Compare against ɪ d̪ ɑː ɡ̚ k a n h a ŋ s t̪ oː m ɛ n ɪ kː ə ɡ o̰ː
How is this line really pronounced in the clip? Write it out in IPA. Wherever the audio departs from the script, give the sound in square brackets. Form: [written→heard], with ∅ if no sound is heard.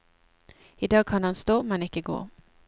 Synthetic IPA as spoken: ɪ d̪ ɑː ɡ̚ [k→kʰ] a n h a [ŋ→n] s t̪ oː m ɛ n ɪ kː ə ɡ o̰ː